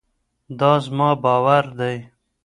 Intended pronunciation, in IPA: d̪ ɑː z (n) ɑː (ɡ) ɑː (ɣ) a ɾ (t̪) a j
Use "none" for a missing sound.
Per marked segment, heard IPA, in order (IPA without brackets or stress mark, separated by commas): m, b, w, d̪